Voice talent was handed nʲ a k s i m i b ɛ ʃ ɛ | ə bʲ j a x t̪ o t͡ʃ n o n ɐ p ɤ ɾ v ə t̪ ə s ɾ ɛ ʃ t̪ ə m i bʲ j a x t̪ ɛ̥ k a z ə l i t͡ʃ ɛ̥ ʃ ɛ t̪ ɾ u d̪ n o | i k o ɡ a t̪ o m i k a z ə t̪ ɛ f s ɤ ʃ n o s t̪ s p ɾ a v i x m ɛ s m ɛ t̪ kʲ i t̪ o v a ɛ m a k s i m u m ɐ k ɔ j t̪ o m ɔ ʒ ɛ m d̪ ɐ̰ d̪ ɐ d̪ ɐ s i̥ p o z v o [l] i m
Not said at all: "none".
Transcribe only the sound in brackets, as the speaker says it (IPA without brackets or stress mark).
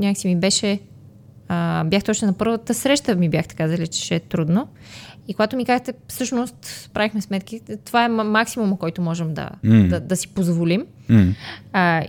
l